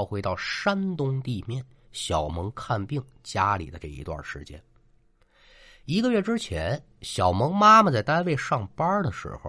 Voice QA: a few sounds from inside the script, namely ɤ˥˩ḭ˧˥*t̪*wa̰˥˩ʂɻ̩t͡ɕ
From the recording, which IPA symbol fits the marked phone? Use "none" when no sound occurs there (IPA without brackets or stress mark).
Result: t̪